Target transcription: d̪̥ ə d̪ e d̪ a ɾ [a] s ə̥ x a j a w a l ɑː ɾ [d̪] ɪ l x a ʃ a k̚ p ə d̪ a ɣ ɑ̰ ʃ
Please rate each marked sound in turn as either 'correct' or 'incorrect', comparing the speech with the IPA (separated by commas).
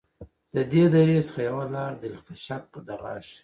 incorrect, correct